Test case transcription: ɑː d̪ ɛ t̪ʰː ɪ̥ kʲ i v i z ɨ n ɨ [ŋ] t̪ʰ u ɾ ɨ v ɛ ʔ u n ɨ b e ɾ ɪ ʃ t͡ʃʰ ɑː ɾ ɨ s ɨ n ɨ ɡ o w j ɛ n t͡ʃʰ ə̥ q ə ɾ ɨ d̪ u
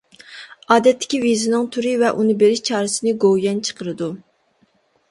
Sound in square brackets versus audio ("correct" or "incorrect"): correct